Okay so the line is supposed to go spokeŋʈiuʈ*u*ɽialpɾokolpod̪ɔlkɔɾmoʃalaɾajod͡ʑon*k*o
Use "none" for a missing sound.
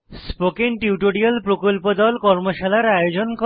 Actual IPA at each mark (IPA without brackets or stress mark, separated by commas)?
o, k